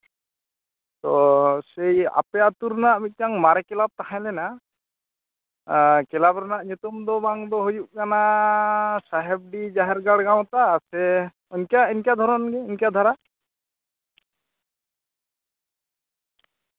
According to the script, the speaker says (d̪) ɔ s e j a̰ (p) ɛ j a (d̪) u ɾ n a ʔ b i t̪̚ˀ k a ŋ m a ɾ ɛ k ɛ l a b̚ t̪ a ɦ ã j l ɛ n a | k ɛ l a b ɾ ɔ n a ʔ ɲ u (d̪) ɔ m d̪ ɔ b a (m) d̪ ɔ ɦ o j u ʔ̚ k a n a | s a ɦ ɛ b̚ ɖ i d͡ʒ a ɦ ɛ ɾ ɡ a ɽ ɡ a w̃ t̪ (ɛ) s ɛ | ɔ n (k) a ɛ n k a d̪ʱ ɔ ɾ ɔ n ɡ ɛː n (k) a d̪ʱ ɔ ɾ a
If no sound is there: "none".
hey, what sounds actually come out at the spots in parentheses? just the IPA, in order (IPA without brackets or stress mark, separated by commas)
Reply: t̪, p, t̪, t̪, ŋ, a, k, k